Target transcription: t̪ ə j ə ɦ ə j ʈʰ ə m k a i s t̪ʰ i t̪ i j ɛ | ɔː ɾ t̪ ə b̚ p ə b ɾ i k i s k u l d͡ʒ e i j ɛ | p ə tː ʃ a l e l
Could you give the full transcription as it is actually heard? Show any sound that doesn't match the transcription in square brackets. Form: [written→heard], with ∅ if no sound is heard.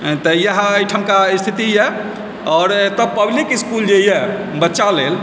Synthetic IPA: t̪ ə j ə ɦ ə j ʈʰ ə m k a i s t̪ʰ i t̪ i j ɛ | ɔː ɾ t̪ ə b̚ p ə b [ɾ→l] i k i s k u l d͡ʒ e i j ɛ | [p→b] ə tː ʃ a l e l